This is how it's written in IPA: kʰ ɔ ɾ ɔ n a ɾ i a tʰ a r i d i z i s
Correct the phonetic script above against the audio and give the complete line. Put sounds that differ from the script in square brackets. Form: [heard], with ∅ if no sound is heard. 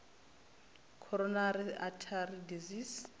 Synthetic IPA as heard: kʰ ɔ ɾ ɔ n a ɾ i a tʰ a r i d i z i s